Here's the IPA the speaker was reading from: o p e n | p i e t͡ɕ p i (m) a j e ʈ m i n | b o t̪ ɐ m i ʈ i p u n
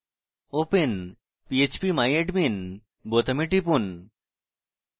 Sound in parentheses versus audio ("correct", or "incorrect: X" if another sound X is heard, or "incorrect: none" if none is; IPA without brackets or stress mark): correct